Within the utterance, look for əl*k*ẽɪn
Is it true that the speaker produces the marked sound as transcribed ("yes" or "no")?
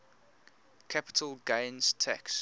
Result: no